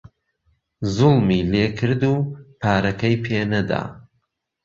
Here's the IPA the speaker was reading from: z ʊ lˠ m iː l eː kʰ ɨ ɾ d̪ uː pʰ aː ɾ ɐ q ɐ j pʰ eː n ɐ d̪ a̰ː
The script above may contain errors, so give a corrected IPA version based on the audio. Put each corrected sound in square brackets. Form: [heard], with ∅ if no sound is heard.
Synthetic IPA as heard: z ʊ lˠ m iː l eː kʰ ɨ ɾ d̪ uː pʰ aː ɾ ɐ [k] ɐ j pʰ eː n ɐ d̪ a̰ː